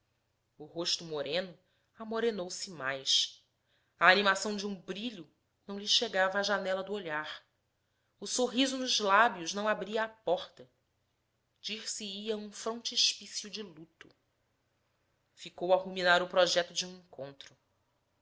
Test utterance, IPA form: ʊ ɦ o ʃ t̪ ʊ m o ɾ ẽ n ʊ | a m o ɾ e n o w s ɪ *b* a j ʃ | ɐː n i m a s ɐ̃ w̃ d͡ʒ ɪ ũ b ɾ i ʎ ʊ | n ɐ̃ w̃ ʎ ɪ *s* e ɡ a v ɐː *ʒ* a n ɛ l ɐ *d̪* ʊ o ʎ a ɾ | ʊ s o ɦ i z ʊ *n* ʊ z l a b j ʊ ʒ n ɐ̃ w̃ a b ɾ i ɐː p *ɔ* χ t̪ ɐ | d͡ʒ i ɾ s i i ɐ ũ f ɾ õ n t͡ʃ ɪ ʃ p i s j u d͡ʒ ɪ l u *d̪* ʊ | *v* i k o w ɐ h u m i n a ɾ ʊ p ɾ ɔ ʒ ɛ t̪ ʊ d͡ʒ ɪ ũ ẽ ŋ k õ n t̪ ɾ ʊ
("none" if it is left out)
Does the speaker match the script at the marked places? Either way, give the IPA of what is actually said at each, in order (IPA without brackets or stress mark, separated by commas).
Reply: m, ʃ, ʒ, d̪, n, ɔ, t̪, f